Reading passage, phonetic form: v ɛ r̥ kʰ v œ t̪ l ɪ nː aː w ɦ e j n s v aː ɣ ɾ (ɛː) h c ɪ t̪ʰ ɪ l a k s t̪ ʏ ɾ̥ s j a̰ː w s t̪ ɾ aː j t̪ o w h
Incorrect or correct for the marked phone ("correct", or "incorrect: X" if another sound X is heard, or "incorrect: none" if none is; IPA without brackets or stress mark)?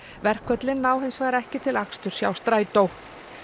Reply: incorrect: ɛ